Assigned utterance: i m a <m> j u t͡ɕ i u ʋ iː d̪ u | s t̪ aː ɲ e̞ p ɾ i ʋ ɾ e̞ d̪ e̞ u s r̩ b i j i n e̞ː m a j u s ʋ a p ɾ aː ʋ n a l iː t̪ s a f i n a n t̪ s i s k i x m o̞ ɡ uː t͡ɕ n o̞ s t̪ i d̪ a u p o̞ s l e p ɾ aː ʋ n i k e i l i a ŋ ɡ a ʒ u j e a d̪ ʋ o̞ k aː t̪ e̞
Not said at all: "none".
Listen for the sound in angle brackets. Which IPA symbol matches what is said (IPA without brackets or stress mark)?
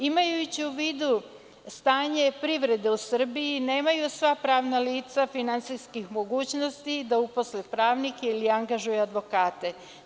none